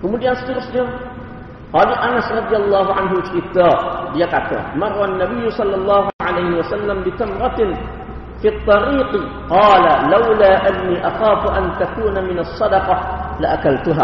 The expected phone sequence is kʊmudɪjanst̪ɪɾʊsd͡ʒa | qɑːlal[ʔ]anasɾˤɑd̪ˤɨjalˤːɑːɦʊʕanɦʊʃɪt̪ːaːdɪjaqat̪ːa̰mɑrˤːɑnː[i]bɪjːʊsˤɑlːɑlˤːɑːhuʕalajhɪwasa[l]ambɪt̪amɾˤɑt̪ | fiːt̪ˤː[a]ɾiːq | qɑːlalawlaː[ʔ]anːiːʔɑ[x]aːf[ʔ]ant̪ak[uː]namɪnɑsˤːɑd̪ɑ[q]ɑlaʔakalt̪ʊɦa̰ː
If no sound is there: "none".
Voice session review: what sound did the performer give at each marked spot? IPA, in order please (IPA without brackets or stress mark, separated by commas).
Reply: ʔ, a, lː, ɑ, ʔ, x, ʔ, uː, q